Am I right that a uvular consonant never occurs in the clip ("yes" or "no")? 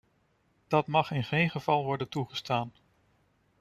no